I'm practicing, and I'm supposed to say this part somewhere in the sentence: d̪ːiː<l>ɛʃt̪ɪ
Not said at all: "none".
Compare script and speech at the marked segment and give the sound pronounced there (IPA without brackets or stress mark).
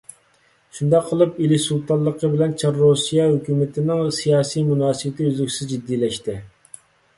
l